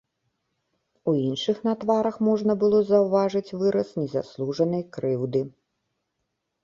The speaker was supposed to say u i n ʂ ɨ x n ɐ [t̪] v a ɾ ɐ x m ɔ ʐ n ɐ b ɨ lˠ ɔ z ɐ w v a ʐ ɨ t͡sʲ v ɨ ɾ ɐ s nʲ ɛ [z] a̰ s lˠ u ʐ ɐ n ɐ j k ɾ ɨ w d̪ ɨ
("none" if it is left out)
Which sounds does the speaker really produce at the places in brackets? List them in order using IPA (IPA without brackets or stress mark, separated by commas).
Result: t̪, z